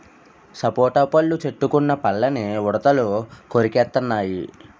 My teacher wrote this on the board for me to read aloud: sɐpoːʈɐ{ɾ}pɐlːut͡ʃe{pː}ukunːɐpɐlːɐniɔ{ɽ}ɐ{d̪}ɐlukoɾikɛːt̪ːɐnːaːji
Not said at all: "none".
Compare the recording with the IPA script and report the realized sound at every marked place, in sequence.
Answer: none, ʈː, ɽ, t̪

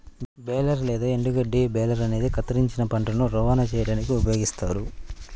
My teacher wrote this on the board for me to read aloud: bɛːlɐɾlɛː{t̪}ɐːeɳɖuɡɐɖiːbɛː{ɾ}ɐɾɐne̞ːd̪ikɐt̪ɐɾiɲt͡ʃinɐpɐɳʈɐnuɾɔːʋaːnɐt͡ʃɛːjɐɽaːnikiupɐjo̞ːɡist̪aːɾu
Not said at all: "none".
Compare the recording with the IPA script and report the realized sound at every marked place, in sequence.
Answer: d̪, l

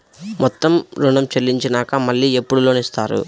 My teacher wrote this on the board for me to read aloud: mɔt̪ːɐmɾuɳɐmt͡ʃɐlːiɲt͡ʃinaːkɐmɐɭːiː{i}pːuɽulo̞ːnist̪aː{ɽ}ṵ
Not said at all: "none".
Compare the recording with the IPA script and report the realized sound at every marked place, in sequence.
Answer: e, ɾ

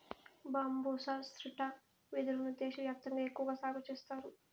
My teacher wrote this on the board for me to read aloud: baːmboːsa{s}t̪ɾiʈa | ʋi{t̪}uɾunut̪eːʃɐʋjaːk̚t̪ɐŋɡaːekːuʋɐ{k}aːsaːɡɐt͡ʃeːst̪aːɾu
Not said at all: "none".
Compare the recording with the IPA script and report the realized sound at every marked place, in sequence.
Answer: s, d̪, ɡ

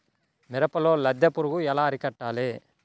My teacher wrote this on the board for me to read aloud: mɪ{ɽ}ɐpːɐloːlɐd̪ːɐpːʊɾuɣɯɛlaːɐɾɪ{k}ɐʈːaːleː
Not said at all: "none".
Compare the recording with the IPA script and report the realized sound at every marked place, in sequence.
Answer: ɾ, k

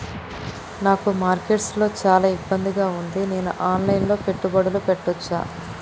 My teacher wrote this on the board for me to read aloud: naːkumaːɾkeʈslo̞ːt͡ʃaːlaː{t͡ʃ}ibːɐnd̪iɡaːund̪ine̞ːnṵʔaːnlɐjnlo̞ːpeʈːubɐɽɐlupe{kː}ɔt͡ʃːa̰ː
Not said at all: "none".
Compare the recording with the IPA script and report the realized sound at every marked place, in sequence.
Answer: none, ʈː

